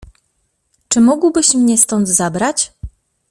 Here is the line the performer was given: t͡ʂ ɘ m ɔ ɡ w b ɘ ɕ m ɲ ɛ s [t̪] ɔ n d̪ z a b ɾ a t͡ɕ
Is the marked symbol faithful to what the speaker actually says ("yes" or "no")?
yes